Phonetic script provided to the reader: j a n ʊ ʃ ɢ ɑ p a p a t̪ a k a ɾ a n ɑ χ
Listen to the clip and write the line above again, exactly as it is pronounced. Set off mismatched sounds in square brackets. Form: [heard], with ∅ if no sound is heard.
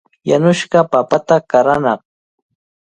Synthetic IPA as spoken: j a n ʊ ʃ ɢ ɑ p a p a t̪ a k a ɾ a n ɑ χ